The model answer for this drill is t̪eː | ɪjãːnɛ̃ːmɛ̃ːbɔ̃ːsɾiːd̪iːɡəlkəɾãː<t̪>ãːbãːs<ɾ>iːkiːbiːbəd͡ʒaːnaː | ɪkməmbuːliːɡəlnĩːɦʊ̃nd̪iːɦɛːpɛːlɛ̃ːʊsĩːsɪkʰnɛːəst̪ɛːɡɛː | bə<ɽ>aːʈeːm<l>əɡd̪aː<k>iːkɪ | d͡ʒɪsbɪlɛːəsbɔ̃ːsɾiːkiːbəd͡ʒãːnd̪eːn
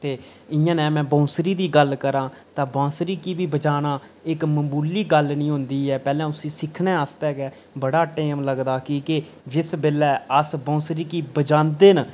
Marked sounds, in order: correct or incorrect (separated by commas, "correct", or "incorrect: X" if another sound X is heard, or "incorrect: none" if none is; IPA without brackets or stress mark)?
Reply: correct, correct, correct, correct, correct